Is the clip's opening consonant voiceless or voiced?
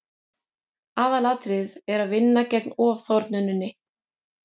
voiced